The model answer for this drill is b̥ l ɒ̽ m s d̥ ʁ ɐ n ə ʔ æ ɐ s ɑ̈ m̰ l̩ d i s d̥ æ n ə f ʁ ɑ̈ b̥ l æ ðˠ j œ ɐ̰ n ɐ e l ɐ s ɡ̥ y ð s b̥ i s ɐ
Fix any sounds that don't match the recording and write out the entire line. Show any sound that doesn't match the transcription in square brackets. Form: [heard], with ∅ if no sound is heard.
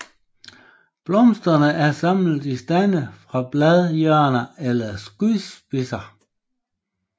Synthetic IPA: b̥ l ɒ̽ m s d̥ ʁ ɐ n ə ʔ æ ɐ s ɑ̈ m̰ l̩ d i s d̥ æ n ə f ʁ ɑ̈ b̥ l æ ðˠ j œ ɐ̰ n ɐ e l ɐ s ɡ̥ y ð s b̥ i s ɐ